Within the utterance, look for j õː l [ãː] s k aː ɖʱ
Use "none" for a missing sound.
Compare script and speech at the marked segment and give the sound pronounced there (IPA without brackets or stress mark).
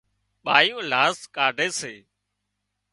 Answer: aː